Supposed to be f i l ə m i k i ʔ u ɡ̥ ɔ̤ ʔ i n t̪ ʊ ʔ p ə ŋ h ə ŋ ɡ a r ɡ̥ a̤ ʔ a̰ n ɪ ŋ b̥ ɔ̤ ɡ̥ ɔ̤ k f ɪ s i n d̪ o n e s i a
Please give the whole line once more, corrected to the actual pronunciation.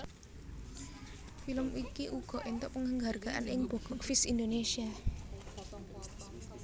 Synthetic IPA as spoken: f i l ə m i k i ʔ u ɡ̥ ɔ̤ ʔ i n t̪ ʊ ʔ p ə ŋ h ə ŋ ɡ a r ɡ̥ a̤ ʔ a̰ n ɪ ŋ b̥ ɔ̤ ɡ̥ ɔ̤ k f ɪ s i n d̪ o n e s i a